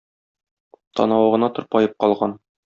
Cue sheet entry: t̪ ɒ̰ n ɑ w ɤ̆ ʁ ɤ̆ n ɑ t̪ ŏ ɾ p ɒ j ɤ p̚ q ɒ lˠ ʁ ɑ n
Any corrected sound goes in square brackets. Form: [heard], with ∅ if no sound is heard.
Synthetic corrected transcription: t̪ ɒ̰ n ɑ w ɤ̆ ʁ ɤ̆ n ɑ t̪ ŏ ɾ p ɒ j ɤ p̚ q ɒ lˠ ʁ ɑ n